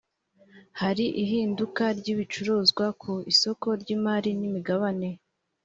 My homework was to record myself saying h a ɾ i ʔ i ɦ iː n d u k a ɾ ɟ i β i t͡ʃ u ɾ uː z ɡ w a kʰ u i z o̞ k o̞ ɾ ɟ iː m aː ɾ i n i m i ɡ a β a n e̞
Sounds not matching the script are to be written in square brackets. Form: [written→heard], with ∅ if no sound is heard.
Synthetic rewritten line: h a ɾ i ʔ i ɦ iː n d u k a ɾ ɟ i β i t͡ʃ u ɾ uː z ɡ w a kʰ u i [z→s] o̞ k o̞ ɾ ɟ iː m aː ɾ i n i m i ɡ a β a n e̞